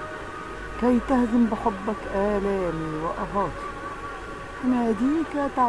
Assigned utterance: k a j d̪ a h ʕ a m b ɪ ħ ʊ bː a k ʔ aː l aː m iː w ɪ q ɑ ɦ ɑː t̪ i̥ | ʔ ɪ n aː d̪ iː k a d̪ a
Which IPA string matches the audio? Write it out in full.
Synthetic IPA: k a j t̪ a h z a m b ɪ ħ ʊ bː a k ʔ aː l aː m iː w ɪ ʔ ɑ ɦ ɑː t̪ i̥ | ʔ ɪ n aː d̪ iː k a t̪ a